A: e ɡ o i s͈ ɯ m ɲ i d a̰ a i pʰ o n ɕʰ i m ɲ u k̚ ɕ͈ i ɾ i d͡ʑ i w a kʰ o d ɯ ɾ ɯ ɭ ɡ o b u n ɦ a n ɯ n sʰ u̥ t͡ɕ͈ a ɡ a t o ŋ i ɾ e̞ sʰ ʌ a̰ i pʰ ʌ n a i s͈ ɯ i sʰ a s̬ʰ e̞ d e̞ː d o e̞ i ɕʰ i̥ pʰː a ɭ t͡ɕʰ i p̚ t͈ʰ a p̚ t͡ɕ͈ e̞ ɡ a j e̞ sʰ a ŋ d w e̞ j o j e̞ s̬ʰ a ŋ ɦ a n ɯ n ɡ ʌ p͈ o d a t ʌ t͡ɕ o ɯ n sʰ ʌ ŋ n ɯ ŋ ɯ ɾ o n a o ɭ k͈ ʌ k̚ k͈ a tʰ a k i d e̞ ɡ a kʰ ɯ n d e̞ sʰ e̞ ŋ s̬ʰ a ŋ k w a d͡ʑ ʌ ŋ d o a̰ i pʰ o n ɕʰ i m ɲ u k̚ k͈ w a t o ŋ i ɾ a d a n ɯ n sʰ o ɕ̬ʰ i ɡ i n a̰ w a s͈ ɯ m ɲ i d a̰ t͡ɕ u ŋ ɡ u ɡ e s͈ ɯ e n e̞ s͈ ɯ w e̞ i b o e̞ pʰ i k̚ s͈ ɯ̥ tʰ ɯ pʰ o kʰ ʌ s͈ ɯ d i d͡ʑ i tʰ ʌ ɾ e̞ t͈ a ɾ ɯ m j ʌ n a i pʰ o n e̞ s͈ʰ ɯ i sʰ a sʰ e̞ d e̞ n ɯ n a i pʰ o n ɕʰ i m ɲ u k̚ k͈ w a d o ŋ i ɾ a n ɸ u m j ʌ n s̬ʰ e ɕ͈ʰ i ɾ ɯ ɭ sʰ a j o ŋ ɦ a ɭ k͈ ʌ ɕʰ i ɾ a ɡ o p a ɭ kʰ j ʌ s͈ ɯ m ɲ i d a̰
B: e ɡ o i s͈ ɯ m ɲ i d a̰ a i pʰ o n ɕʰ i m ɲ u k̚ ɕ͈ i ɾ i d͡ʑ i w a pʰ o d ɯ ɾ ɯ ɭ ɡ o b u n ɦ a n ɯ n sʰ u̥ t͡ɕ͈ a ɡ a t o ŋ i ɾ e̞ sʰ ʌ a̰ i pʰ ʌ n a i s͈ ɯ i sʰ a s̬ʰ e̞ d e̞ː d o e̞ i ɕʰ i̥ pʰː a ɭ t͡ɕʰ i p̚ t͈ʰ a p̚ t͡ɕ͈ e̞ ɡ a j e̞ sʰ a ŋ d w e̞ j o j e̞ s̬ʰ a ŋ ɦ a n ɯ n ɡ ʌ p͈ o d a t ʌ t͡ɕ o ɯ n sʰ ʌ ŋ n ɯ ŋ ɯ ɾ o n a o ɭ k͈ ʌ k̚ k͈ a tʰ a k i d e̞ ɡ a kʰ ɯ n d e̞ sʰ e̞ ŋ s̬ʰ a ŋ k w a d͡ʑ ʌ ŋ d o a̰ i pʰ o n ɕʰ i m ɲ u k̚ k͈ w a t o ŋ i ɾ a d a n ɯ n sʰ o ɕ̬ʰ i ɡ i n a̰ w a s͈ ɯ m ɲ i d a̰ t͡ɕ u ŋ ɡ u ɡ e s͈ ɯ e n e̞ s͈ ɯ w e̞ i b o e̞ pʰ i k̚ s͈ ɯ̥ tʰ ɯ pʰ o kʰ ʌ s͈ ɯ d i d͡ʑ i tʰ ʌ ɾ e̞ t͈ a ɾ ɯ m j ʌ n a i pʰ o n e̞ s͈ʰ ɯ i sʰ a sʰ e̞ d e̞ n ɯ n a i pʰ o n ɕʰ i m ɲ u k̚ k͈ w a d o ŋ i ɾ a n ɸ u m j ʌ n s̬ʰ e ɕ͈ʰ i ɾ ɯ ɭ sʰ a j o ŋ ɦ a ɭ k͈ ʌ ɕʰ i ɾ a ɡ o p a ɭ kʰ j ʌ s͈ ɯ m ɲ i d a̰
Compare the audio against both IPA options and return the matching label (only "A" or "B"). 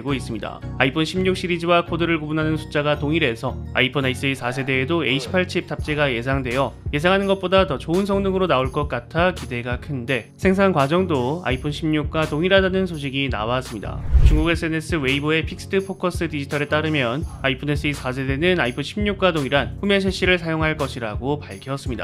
A